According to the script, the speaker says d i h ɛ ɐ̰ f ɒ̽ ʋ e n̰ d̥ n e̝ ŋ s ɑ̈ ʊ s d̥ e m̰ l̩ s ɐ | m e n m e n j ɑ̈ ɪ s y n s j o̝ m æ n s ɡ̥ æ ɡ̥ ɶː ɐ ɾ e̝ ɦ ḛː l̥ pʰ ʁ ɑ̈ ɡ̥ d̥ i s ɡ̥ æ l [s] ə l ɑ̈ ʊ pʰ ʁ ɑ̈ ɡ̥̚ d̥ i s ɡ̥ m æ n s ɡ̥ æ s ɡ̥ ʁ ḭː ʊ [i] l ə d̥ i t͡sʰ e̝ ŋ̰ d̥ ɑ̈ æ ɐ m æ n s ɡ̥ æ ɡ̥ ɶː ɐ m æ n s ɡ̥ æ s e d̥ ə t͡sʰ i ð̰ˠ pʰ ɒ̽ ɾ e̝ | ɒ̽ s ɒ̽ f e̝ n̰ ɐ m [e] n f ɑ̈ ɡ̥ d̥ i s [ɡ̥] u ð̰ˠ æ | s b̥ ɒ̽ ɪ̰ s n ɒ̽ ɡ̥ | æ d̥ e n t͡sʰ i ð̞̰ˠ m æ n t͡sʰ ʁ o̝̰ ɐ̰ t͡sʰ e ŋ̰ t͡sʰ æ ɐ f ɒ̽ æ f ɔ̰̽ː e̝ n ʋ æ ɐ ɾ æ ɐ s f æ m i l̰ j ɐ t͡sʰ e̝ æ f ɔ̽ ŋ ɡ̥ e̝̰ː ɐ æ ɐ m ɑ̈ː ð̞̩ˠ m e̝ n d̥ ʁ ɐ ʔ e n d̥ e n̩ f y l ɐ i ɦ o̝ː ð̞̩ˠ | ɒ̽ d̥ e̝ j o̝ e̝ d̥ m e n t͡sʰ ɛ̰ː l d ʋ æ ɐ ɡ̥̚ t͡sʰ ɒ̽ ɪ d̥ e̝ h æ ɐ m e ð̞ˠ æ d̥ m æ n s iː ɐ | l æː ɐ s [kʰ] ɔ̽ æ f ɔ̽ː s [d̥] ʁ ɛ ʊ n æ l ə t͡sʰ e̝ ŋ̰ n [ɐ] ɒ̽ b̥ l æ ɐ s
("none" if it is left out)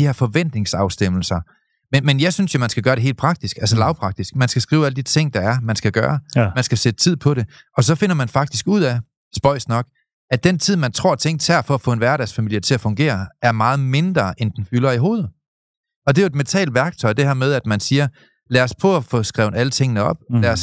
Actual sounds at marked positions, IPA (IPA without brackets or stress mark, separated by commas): s, æ, æ, ɡ̥, pʰ, ɡ̥, ə